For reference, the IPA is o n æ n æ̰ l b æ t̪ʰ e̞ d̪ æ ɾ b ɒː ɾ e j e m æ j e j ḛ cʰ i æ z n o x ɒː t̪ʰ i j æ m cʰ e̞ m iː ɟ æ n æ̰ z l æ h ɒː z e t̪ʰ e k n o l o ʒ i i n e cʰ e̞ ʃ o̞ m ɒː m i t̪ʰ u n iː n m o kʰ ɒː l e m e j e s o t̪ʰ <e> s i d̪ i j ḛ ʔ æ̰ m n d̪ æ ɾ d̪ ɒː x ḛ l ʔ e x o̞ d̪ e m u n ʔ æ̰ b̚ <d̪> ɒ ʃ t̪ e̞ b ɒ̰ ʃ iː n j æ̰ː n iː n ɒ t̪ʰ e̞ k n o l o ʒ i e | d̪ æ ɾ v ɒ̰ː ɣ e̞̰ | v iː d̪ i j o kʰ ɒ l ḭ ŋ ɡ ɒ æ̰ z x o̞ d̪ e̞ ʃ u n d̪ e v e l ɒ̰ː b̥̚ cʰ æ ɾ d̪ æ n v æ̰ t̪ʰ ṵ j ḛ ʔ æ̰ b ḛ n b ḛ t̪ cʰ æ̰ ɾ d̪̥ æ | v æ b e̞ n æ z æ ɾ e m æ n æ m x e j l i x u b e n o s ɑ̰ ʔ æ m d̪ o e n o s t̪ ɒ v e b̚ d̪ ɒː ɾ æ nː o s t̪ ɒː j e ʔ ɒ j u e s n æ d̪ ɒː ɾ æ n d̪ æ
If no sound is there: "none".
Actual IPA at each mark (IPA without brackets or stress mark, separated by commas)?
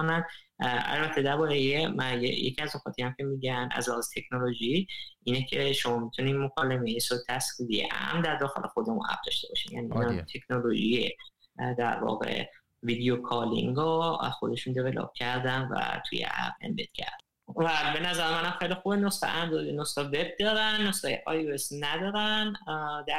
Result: æ, d̪